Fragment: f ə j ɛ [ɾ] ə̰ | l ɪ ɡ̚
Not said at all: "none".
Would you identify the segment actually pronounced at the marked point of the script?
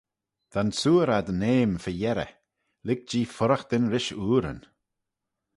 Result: ɾ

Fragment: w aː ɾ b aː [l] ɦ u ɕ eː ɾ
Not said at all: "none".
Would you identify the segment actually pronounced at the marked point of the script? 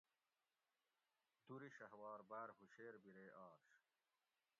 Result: ɾ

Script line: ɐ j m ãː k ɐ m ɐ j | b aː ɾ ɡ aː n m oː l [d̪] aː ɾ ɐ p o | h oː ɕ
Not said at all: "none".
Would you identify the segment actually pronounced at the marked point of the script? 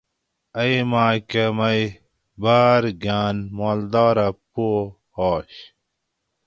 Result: d̪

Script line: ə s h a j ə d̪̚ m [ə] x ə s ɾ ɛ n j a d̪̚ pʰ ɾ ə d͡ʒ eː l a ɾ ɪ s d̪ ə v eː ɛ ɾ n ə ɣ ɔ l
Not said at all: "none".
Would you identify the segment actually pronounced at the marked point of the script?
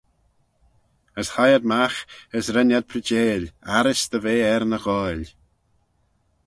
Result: a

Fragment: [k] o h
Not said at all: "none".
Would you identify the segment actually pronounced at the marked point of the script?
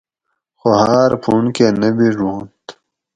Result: x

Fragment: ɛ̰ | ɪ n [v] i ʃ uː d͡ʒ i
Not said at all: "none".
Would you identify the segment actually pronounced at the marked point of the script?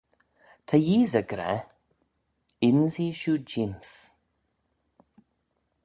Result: z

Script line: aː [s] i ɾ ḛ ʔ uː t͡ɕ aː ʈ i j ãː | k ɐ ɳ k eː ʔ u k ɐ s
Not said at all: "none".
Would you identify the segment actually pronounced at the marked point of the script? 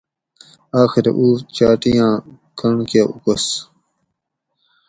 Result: x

